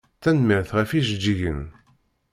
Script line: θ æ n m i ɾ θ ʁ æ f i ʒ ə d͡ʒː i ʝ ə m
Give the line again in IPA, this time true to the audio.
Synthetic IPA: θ æ n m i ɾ θ ʁ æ f i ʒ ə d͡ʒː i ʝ ə n